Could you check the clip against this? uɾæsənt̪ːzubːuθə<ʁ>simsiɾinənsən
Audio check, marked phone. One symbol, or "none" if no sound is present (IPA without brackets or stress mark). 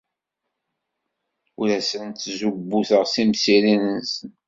ʁ